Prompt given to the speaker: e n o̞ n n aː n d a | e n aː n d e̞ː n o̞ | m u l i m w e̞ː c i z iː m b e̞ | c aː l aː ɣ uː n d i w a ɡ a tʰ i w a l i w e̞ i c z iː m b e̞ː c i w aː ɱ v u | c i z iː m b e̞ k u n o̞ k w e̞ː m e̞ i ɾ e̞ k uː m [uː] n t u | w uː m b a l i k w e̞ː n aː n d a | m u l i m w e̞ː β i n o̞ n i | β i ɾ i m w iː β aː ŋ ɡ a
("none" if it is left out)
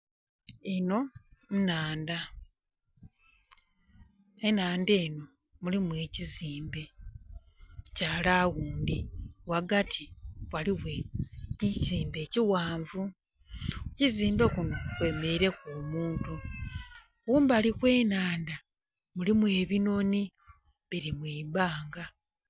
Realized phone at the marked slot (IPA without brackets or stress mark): uː